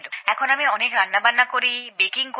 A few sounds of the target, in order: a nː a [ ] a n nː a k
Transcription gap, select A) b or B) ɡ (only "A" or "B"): A